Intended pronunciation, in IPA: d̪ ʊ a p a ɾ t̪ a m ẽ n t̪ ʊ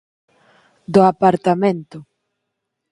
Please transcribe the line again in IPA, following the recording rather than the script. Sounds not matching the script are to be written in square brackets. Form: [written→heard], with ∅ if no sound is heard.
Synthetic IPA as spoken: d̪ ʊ a p a ɾ t̪ a m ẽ n t̪ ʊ